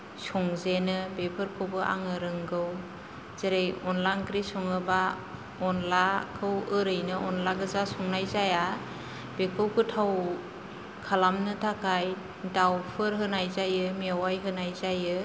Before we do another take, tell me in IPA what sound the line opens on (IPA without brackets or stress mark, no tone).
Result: s